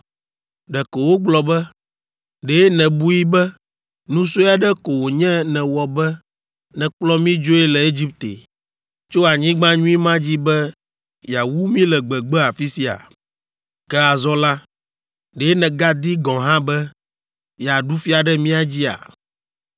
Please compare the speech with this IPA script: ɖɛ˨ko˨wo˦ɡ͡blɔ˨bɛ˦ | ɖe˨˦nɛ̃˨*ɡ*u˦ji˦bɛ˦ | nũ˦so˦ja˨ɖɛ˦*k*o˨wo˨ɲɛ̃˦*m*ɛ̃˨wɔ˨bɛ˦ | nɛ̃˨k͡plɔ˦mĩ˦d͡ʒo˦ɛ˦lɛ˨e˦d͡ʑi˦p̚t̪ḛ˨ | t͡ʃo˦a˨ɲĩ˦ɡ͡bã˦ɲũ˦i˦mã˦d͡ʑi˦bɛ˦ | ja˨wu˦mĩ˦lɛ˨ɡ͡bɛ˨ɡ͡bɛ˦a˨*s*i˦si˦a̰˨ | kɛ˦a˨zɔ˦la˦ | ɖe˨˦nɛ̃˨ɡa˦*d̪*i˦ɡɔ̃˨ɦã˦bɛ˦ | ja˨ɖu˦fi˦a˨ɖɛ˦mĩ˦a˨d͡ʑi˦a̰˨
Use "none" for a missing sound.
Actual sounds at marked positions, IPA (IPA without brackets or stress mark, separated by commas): b, k, n, f, d̪